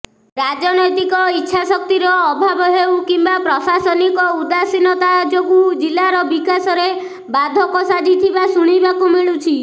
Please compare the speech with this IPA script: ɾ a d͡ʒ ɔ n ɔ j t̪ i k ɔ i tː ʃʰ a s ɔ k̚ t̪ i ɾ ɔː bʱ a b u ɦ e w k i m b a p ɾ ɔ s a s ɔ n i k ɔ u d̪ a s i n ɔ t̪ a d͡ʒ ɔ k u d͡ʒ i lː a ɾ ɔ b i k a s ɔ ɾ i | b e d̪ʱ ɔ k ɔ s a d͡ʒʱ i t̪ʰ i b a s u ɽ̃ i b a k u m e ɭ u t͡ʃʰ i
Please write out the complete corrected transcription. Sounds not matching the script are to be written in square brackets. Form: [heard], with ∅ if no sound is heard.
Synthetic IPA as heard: ɾ a d͡ʒ ɔ n ɔ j t̪ i k ɔ i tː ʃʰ a s ɔ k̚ t̪ i ɾ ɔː bʱ a b [ɔ] ɦ e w k i m b a p ɾ ɔ s a s ɔ n i k ɔ u d̪ a s i n ɔ t̪ a d͡ʒ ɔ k u d͡ʒ i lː a ɾ ɔ b i k a s ɔ ɾ [e] | b [a] d̪ʱ ɔ k ɔ s a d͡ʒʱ i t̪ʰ i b a s u ɽ̃ i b a k u m [i] ɭ u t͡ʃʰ i